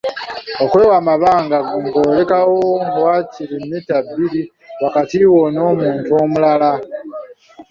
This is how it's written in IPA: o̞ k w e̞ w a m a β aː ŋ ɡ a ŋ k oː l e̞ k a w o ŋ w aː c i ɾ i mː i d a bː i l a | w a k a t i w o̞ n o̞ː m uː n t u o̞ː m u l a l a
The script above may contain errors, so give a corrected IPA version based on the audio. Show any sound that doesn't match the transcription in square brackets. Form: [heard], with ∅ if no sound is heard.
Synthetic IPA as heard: o̞ k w e̞ w a m a β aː ŋ ɡ a ŋ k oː l e̞ k a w o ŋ w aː c i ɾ i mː i [t] a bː i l [i] | w a k a t i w o̞ n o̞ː m uː n t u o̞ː m u l a l a